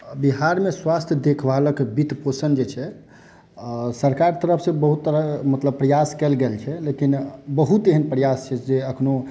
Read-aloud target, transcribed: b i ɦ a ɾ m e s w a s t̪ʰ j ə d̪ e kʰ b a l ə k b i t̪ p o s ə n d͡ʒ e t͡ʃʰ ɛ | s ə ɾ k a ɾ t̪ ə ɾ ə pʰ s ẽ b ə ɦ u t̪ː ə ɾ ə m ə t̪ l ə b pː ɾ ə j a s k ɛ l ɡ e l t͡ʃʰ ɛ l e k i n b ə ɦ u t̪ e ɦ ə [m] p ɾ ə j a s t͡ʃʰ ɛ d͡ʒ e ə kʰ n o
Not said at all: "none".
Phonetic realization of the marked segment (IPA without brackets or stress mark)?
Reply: n